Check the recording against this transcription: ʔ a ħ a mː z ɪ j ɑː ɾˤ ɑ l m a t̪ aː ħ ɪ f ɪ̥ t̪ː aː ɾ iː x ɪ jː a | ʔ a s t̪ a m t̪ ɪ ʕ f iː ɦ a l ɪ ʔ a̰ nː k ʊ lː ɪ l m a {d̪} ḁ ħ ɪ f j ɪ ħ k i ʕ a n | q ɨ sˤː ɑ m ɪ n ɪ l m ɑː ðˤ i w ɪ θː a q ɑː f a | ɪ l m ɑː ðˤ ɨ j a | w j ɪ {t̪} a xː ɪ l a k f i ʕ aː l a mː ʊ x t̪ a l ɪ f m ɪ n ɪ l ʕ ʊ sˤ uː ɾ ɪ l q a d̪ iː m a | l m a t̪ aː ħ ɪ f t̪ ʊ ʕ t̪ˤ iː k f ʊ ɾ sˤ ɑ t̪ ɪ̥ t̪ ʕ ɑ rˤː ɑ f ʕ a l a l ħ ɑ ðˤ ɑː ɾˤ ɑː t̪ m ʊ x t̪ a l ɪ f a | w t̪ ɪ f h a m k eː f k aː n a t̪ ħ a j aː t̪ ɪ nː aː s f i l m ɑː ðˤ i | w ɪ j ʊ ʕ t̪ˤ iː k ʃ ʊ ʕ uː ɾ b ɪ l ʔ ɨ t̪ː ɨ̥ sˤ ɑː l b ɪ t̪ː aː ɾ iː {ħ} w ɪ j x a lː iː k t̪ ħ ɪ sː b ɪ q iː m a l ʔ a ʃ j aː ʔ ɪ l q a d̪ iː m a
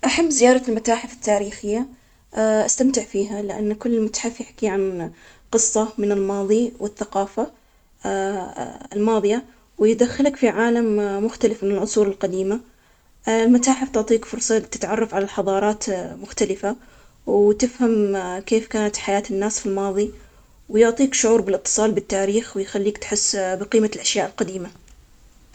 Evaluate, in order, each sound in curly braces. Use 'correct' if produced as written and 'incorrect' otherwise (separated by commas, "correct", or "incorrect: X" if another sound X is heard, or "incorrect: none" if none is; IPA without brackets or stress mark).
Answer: incorrect: t̪, incorrect: d̪, incorrect: x